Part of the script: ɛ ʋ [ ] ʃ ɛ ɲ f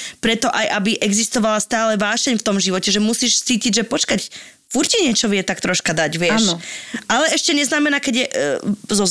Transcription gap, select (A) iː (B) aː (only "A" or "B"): B